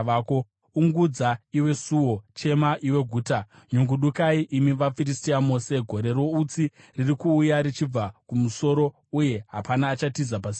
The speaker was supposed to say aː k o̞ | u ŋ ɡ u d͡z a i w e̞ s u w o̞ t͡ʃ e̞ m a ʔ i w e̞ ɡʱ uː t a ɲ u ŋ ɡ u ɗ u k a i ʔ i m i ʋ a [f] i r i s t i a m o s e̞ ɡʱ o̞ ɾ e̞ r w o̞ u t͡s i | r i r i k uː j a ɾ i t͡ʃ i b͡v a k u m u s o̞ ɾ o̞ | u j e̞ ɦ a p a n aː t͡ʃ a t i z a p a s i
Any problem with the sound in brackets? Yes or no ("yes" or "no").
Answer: no